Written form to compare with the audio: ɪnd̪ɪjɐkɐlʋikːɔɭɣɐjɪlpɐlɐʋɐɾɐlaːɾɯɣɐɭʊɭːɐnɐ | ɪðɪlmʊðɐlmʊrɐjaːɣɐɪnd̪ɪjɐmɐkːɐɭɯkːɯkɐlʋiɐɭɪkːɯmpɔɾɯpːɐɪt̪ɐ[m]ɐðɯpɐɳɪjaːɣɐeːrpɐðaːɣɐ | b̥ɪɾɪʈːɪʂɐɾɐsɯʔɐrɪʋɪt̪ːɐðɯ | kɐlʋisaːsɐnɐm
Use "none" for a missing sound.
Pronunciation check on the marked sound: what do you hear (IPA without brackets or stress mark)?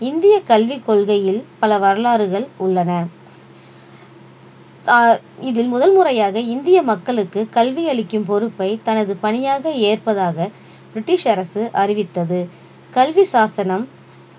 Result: n